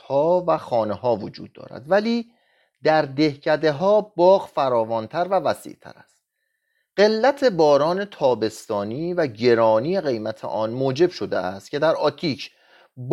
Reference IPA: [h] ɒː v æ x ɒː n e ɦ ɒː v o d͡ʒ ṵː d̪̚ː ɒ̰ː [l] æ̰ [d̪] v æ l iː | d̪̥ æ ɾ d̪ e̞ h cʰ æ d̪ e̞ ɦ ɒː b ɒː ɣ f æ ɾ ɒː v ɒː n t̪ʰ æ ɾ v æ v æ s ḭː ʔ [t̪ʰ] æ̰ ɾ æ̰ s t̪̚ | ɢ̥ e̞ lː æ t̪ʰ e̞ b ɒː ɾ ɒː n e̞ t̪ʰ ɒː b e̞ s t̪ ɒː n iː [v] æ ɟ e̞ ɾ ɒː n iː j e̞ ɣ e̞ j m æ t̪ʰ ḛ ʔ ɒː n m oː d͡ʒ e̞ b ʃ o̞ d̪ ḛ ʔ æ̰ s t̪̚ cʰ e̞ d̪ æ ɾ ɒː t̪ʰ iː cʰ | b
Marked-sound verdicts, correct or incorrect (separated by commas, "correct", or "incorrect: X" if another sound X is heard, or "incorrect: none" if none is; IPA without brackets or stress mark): correct, incorrect: ɾ, correct, correct, correct